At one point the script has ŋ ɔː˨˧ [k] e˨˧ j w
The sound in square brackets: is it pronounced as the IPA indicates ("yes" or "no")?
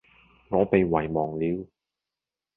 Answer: no